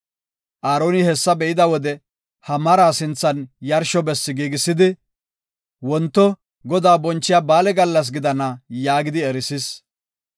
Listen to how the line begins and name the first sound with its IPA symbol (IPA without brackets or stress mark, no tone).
ʔ